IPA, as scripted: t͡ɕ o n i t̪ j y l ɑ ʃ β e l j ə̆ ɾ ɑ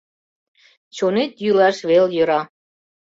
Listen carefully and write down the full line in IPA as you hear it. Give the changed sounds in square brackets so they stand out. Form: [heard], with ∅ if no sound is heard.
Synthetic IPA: t͡ɕ o n [e] t̪ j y l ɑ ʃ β e l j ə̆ ɾ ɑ